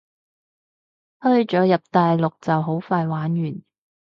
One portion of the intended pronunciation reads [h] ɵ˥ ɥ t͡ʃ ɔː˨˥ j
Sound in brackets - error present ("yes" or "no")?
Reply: no